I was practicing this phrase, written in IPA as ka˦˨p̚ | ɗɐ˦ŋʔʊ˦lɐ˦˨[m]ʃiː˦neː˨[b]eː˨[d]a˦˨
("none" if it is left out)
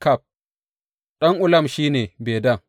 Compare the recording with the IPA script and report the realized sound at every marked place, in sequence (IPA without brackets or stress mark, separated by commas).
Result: m, b, d